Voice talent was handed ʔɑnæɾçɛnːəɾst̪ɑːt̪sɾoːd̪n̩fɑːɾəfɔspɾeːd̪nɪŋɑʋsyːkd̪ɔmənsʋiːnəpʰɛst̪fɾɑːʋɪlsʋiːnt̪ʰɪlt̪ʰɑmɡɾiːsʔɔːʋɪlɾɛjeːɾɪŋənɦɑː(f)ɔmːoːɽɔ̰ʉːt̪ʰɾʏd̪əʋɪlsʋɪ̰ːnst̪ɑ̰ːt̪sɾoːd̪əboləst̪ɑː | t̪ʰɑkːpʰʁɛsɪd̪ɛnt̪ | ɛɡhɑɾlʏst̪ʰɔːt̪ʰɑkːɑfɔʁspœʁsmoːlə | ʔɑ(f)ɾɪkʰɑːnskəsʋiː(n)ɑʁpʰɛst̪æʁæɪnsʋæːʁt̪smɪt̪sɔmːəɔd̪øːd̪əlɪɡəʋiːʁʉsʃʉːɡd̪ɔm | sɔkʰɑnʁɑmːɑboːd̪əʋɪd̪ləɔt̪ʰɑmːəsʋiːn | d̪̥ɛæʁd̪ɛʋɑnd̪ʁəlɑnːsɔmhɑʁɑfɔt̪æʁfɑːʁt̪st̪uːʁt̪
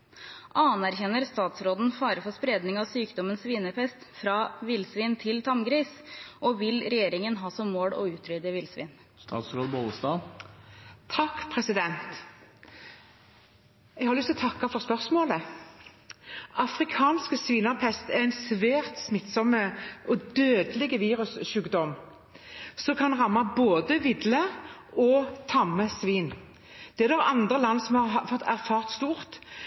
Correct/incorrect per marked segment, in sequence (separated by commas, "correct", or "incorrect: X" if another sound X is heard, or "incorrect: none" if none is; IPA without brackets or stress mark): incorrect: s, correct, correct